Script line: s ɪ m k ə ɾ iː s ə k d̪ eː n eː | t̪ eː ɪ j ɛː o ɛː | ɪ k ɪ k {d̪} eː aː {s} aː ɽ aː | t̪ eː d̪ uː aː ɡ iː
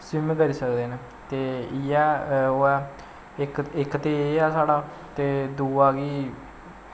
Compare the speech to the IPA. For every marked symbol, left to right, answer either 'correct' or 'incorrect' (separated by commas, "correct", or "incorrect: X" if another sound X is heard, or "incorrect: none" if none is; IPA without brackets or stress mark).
incorrect: t̪, correct